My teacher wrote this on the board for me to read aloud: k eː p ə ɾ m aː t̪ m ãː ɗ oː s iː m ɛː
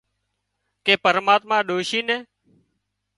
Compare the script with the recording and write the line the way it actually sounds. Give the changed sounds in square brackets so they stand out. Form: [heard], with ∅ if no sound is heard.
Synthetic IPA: k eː p ə ɾ m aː t̪ m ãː ɗ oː [ʃ] iː [n] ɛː